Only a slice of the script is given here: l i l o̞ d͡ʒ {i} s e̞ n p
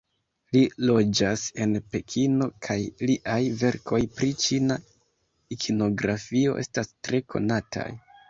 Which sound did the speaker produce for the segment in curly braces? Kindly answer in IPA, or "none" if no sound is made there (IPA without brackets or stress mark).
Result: a